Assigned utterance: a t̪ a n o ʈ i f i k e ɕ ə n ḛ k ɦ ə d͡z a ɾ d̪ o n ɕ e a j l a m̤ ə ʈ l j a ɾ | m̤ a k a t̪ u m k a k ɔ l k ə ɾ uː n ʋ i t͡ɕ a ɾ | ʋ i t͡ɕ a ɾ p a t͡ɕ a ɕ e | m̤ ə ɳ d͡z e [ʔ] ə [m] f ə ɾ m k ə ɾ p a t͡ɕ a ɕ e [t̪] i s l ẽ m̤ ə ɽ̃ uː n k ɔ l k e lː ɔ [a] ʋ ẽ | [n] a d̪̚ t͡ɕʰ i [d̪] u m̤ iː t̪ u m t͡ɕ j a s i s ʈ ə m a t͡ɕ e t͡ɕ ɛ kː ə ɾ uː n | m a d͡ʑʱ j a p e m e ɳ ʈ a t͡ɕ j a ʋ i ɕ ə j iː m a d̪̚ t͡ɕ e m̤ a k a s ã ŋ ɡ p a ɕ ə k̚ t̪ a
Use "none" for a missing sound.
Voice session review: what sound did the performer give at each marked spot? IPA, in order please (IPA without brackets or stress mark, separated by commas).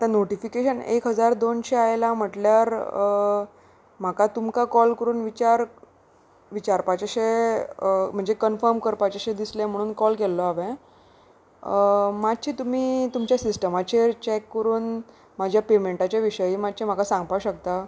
k, n, d̪, a, m, t̪